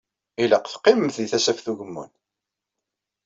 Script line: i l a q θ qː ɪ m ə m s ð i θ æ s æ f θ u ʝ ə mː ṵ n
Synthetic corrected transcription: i l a q θ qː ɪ m ə m θ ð i θ æ s æ f θ u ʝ ə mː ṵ n